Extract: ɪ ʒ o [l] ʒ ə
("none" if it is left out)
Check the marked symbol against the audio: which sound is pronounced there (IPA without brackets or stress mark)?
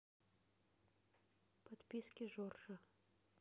r